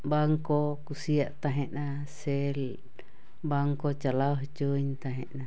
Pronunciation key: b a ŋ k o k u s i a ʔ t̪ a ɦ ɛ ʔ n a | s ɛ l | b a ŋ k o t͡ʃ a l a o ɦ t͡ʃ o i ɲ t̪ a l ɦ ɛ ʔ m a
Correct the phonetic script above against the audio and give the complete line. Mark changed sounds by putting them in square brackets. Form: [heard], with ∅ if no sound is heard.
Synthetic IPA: b a ŋ k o k u s i a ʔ t̪ a ɦ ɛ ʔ n a | s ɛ l | b a ŋ k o t͡ʃ a l a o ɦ t͡ʃ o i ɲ t̪ a [∅] ɦ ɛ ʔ [n] a